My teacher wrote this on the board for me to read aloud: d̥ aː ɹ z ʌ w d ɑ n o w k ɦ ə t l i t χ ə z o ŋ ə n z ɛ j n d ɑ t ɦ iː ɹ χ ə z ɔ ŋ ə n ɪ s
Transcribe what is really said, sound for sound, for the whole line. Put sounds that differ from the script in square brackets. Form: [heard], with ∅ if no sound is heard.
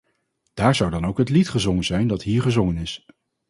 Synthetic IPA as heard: d̥ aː ɹ z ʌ w d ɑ n o w k ɦ ə t l i t χ ə z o ŋ ə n z ɛ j n d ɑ t ɦ iː ɹ χ ə z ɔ ŋ ə n ɪ s